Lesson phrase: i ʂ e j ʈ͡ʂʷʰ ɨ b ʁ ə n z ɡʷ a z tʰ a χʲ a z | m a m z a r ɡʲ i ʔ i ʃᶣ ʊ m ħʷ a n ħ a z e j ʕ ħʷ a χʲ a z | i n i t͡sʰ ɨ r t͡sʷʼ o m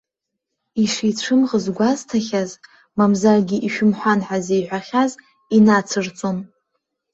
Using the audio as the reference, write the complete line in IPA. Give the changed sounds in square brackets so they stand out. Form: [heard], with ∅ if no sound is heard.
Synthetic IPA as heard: i ʂ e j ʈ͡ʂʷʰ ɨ [m] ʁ ə [∅] z ɡʷ a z tʰ a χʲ a z | m a m z a r ɡʲ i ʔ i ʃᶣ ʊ m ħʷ a n ħ a z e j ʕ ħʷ a χʲ a z | i n [a] t͡sʰ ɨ r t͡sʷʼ o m